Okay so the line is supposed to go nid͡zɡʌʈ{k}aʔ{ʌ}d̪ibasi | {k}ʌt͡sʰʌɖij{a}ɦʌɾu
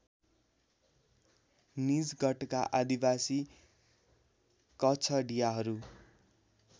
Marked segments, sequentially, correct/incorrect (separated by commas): correct, incorrect, correct, correct